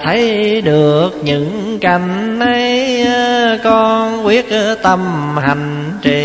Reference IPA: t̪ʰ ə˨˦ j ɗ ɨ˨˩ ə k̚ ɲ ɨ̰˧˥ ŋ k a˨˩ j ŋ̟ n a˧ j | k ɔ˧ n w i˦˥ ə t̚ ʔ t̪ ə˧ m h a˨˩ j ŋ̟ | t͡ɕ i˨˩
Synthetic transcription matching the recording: t̪ʰ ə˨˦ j ɗ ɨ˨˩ ə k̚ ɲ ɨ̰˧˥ ŋ k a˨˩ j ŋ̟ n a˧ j | k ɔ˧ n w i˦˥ ə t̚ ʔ t̪ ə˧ m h a˨˩ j ŋ̟ | t͡ɕ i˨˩